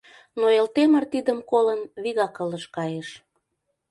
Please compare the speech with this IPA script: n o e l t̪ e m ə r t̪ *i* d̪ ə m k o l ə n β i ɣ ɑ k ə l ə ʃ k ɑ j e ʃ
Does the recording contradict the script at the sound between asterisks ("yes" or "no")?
no